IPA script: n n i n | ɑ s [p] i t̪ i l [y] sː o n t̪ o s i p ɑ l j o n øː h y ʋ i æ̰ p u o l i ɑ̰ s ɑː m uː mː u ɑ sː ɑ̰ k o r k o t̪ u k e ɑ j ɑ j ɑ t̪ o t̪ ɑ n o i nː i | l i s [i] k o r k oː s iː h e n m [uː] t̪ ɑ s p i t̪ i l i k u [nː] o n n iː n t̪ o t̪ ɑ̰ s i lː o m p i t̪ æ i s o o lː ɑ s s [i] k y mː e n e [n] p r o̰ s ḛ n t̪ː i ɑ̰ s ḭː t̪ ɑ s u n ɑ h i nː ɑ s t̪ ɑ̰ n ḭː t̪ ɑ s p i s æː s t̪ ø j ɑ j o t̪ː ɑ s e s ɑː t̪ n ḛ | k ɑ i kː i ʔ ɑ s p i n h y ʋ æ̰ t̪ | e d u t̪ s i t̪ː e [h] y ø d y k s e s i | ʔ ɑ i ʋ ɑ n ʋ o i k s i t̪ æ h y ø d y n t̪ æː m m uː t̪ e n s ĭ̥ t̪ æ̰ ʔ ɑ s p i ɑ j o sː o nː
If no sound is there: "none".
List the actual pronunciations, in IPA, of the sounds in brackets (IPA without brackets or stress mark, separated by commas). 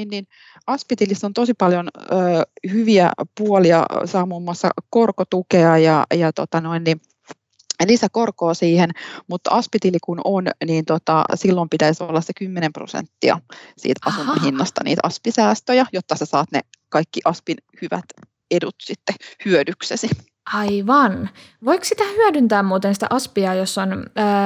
p, i, æ, u, n, e, m, h